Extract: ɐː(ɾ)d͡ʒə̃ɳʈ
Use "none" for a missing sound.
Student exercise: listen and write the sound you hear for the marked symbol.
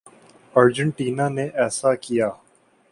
ɾ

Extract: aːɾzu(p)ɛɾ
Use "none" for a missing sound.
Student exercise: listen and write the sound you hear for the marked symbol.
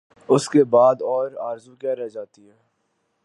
k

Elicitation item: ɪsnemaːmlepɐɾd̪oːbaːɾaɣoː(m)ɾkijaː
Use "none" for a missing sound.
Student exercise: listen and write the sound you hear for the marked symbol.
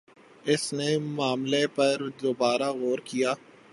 none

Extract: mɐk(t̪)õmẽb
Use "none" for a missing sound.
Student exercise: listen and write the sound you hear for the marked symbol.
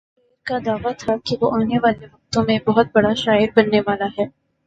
t̪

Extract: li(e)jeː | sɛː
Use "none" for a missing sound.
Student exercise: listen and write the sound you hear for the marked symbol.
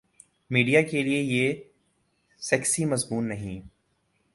e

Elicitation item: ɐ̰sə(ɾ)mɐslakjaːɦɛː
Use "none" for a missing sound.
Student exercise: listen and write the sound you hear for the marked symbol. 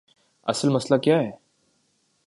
l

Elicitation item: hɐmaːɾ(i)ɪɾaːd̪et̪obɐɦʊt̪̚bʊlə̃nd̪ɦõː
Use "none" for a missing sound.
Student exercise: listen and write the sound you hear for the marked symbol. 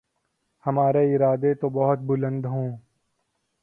e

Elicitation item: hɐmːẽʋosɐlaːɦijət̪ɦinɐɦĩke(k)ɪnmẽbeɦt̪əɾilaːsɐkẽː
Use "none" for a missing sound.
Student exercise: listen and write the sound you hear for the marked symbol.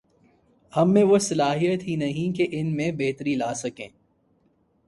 ʔ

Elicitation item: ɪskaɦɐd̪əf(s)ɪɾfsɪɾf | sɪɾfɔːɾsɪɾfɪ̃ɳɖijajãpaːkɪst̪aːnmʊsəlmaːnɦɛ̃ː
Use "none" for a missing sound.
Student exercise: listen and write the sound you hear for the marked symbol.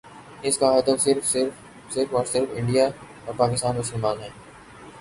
s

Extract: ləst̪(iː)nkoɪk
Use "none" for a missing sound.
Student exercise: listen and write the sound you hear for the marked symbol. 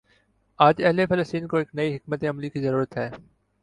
iː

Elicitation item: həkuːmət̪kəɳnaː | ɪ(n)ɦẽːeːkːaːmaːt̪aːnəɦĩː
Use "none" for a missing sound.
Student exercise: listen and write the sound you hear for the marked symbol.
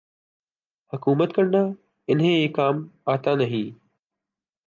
n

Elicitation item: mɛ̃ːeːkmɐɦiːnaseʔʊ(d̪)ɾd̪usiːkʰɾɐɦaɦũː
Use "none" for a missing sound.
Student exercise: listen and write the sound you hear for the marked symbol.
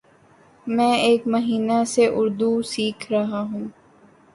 none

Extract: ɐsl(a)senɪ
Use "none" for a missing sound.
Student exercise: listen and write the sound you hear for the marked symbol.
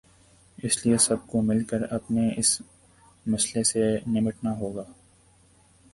e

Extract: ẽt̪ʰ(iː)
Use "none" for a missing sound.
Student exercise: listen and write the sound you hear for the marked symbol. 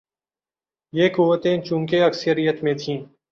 ĩː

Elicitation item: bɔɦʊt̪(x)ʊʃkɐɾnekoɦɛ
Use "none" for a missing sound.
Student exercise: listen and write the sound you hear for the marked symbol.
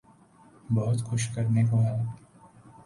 x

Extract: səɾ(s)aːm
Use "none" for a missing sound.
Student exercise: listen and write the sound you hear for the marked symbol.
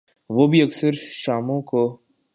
ʃ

